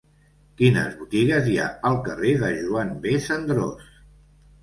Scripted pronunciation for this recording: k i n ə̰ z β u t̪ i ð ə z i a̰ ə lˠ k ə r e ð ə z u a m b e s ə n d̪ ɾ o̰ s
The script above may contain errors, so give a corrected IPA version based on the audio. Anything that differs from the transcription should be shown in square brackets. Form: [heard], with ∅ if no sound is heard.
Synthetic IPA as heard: k i n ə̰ z β u t̪ i [ɣ] ə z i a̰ ə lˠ k ə r e ð ə [ʒ] u a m b e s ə n d̪ ɾ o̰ s